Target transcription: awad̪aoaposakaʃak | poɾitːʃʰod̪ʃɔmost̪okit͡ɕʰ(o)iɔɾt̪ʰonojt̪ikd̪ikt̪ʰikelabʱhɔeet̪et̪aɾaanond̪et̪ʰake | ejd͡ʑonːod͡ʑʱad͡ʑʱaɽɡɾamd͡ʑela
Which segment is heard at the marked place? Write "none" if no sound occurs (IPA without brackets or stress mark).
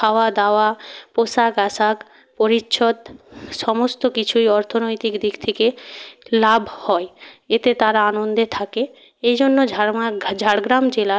u